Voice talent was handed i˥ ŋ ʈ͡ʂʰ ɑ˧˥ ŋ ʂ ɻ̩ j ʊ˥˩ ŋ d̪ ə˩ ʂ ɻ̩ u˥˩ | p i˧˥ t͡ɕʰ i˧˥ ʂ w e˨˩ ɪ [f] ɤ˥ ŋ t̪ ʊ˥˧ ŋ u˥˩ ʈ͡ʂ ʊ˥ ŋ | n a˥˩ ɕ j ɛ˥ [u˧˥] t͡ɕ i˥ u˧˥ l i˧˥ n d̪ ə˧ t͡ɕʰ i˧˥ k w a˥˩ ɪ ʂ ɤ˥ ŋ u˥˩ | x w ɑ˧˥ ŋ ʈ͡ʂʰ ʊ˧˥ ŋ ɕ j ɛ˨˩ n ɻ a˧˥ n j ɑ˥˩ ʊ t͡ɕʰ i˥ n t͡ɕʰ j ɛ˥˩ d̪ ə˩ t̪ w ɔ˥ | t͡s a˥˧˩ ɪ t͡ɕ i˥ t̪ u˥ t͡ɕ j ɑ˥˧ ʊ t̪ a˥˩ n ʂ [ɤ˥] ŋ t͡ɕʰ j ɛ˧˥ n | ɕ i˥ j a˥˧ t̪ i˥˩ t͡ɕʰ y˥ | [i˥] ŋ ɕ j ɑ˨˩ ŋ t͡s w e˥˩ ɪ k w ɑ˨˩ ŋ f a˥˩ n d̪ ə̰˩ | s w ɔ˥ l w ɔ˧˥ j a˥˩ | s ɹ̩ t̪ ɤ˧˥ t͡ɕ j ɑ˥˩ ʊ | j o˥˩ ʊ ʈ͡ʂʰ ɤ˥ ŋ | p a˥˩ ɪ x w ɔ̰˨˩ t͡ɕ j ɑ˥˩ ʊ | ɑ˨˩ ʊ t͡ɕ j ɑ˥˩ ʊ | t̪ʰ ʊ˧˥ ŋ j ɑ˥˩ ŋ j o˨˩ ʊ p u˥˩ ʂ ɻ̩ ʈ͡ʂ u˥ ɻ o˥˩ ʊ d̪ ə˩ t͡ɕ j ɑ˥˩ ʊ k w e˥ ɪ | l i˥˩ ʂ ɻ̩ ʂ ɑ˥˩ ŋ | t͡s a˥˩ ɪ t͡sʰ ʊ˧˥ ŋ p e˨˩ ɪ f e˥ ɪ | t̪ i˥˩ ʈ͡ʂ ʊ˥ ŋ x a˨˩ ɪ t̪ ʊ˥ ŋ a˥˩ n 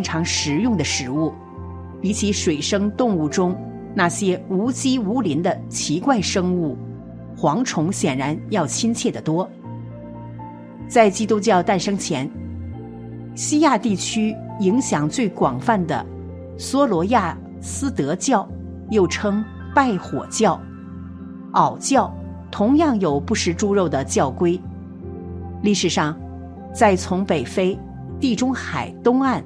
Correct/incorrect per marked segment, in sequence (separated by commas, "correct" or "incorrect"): incorrect, correct, correct, incorrect